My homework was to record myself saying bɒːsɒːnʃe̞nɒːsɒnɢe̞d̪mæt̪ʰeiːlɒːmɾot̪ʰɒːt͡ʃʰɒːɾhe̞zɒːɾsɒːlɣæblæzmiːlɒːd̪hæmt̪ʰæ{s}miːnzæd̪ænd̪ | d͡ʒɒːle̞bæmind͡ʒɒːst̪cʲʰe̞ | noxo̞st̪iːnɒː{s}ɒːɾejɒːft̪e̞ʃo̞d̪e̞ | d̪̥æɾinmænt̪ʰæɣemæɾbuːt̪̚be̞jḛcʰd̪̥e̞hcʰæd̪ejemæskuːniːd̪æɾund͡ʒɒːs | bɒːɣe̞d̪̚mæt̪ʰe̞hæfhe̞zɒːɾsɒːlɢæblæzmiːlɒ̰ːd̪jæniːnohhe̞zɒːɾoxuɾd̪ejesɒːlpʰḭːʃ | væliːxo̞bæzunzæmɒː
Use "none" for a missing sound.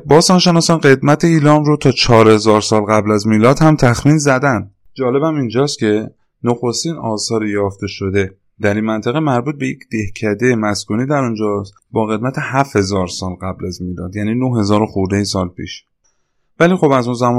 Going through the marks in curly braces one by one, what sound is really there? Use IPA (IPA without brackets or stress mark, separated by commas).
x, s